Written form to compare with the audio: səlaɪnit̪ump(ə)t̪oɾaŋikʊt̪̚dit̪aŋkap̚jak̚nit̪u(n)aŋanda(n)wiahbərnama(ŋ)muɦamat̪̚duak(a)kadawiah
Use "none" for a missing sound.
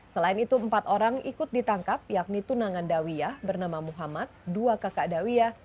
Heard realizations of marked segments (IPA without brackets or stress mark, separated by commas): a, n, none, none, a